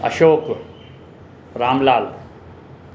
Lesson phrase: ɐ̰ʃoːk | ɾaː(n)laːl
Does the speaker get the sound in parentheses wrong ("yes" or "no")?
yes